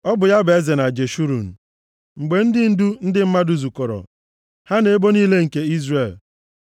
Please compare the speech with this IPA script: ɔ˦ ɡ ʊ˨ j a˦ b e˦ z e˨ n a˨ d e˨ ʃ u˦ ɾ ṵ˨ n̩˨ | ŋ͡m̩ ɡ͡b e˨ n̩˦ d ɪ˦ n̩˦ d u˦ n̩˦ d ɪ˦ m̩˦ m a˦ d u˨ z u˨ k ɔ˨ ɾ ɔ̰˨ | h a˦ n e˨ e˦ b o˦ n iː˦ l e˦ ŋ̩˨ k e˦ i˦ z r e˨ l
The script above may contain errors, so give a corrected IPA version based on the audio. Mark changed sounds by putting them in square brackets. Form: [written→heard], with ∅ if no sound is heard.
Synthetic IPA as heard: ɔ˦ [ɡ→b] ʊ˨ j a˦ b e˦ z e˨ n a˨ [d→d͡ʒ] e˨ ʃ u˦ ɾ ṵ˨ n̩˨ | ŋ͡m̩ ɡ͡b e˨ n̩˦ d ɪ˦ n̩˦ d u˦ n̩˦ d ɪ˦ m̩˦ m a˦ d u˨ z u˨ k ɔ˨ ɾ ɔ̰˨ | h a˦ n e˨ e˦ b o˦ n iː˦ l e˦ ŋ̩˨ k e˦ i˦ z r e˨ l